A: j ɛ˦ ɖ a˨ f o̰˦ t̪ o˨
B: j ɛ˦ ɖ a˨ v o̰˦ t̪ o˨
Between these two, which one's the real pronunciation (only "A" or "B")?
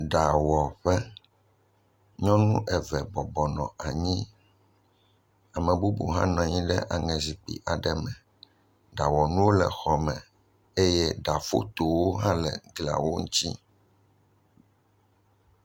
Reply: A